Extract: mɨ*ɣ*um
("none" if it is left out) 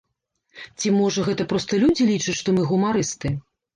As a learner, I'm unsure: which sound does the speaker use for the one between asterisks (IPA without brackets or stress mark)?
ɣ